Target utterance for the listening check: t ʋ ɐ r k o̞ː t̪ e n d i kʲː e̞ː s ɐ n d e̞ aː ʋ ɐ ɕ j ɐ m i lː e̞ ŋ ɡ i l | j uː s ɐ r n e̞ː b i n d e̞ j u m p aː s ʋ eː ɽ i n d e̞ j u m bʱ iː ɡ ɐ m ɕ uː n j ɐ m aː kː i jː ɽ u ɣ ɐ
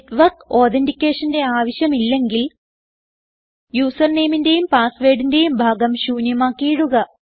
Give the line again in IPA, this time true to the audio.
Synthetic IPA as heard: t ʋ ɐ r k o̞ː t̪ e n d i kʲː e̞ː ʂ ɐ n d e̞ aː ʋ ɐ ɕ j ɐ m i lː e̞ ŋ ɡ i l | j uː s ɐ r n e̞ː m i n d e̞ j u m p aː s ʋ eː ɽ i n d e̞ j u m bʱ aː ɡ ɐ m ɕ uː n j ɐ m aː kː i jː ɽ u ɣ ɐ